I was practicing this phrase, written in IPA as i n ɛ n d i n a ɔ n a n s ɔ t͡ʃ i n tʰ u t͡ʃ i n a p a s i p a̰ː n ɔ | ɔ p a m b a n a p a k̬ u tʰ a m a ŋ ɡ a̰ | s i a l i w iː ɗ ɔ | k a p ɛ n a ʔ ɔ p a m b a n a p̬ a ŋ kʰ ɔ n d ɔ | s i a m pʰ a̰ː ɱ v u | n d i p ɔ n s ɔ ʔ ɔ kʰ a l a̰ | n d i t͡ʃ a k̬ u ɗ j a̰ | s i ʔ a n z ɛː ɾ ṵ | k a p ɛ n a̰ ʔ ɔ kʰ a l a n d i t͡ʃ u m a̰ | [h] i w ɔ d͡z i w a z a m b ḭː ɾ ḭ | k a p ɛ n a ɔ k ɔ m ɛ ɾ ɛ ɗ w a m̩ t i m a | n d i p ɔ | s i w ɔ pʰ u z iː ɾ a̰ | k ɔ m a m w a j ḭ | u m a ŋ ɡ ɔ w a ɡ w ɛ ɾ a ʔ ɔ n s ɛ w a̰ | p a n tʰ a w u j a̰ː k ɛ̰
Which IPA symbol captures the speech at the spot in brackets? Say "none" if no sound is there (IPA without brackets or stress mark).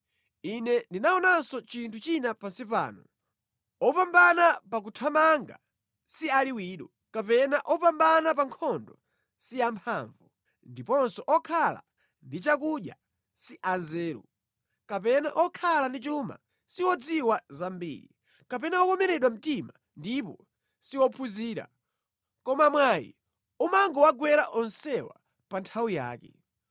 s